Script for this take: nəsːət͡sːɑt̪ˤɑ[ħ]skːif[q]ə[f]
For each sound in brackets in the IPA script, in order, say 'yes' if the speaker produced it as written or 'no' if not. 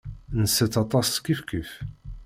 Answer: no, no, yes

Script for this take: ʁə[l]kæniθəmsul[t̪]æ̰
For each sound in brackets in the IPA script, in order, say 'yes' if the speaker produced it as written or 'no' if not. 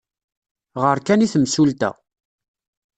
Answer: no, yes

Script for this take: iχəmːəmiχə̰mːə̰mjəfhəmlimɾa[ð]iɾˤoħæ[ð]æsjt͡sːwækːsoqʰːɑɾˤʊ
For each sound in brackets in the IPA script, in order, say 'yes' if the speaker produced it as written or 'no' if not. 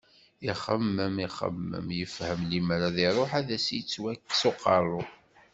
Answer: yes, yes

